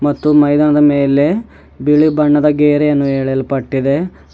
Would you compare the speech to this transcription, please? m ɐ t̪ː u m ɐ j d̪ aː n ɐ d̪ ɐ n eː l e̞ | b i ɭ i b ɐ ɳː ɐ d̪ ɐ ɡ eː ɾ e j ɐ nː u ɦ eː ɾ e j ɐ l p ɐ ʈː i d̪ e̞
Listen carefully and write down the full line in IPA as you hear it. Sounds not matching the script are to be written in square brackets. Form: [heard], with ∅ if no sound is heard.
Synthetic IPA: m ɐ t̪ː u m ɐ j d̪ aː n ɐ d̪ ɐ [m] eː l e̞ | b i ɭ i b ɐ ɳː ɐ d̪ ɐ ɡ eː ɾ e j ɐ nː u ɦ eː [ɭ] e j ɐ l p ɐ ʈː i d̪ e̞